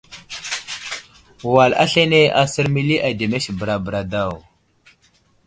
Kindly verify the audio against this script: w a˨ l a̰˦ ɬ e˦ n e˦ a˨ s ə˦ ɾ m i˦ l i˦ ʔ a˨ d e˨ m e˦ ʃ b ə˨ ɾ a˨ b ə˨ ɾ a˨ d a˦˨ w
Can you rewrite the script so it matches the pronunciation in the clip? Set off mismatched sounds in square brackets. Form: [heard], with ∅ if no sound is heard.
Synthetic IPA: w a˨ l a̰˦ ɬ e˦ n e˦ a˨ s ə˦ ɾ m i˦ l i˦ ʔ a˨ d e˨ m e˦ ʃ b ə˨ ɾ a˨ b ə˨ ɾ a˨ d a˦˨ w